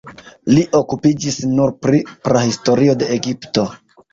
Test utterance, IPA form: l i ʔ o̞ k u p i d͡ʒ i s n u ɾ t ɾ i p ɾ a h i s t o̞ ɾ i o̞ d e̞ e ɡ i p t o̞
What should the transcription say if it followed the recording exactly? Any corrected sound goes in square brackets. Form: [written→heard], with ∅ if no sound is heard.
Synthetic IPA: l i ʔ o̞ k u p i d͡ʒ i s n u ɾ [t→p] ɾ i p ɾ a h i s t o̞ ɾ i o̞ d e̞ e ɡ i p t o̞